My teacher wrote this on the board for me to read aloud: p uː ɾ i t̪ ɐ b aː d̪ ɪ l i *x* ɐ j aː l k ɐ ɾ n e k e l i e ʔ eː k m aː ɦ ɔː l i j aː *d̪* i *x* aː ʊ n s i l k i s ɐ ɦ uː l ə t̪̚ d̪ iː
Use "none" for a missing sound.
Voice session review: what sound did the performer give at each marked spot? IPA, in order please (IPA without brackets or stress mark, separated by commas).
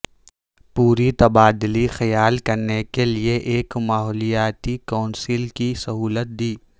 x, t̪, k